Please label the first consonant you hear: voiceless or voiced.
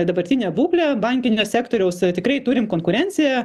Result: voiced